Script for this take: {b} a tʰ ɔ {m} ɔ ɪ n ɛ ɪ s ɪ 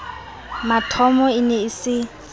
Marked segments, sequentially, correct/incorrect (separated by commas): incorrect, correct